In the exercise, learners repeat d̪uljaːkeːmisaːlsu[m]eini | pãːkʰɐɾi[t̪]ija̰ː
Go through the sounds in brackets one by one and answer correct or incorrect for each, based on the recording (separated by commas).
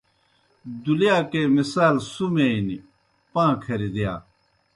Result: correct, incorrect